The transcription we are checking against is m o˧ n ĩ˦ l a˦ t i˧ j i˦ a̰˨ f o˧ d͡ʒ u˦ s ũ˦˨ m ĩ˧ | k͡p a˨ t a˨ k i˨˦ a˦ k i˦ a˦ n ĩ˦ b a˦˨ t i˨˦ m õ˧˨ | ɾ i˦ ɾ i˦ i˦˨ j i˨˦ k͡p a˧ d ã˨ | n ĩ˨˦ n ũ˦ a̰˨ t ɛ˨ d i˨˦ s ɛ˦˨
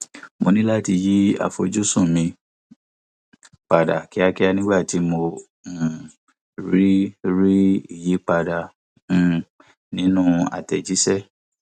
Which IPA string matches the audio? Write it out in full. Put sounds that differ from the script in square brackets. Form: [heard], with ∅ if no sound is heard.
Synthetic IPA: m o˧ n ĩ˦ l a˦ t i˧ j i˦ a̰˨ f o˧ d͡ʒ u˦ s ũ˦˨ m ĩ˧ | k͡p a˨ [d] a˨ k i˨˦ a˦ k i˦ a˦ n ĩ˦ [ɡ͡b] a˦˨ t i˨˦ m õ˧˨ | ɾ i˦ ɾ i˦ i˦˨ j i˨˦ k͡p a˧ d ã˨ | n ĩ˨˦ n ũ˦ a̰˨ t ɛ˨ [d͡ʒ] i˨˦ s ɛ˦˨